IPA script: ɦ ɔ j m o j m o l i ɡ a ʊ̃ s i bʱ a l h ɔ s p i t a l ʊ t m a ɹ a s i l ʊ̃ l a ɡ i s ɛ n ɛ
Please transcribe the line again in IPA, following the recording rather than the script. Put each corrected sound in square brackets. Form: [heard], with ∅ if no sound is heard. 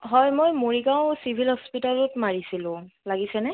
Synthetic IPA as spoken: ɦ ɔ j m o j m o [ɹ] i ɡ a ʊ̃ s i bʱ [i] l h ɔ s p i t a l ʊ t m a ɹ [i] s i l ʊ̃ l a ɡ i s ɛ n ɛ